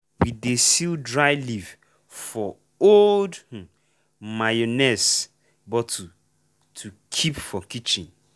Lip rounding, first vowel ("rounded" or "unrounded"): unrounded